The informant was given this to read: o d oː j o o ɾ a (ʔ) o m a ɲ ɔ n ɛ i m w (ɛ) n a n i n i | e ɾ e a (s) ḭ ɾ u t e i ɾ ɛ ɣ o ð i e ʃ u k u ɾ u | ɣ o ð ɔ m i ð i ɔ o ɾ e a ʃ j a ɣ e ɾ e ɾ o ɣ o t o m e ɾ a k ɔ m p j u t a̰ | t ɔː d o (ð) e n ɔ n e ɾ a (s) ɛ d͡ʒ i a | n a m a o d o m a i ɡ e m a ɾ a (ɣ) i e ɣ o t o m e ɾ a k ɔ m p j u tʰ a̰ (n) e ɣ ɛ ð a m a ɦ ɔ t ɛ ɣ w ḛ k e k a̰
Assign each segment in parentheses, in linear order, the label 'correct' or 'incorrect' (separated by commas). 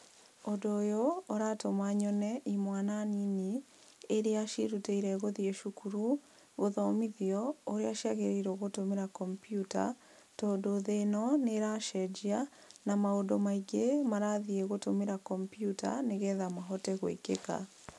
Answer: incorrect, incorrect, incorrect, correct, incorrect, incorrect, correct